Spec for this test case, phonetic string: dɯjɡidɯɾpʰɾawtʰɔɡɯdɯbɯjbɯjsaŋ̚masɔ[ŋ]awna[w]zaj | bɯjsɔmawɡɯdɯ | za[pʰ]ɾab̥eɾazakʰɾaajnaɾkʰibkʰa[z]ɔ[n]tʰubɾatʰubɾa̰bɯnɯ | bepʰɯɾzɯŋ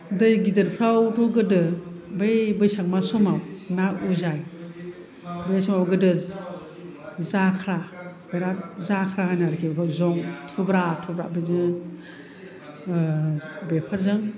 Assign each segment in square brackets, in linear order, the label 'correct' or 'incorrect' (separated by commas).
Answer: incorrect, incorrect, incorrect, correct, incorrect